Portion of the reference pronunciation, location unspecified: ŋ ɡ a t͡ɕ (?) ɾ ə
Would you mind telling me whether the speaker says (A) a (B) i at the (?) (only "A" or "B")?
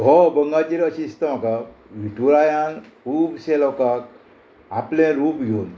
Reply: B